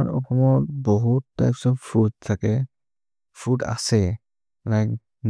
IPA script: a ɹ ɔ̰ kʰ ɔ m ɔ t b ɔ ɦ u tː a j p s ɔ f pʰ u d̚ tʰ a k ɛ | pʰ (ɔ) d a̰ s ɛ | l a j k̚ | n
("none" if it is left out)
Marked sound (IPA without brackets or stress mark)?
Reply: u